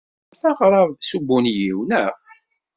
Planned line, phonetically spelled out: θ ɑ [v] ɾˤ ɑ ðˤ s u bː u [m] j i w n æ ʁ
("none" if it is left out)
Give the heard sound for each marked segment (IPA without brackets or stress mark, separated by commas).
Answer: ʁ, n